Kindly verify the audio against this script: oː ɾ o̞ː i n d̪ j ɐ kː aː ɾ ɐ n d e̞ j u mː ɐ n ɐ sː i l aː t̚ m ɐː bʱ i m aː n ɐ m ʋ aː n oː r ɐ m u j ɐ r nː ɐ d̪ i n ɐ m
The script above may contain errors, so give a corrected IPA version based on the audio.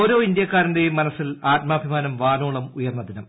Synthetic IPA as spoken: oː ɾ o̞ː i n d̪ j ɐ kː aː ɾ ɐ n d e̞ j u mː ɐ n ɐ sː i l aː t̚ m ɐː bʱ i m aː n ɐ m ʋ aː n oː ɭ ɐ m u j ɐ r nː ɐ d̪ i n ɐ m